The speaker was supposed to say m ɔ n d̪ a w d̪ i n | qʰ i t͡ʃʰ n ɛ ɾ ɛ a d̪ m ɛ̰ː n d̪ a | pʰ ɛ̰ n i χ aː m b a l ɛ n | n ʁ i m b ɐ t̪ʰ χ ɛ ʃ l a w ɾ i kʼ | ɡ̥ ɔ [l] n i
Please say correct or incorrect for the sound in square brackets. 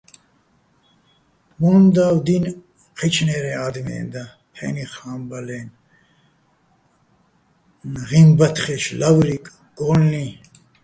correct